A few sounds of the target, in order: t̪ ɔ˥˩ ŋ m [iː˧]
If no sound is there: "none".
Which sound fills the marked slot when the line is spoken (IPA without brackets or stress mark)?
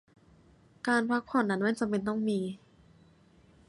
iː˧